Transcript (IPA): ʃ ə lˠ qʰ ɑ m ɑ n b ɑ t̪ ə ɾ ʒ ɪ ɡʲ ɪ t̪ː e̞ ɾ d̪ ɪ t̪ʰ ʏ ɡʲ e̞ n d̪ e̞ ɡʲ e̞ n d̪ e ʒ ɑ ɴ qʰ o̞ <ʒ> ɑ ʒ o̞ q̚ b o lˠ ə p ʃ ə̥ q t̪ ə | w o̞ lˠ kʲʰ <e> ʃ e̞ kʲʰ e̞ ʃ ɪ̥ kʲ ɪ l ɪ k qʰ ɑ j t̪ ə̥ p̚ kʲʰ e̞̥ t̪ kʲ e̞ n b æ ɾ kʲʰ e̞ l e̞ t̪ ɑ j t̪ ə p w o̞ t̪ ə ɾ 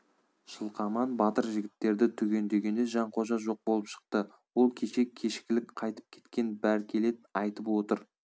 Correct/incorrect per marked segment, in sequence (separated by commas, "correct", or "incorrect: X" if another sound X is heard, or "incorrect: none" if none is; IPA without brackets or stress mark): correct, correct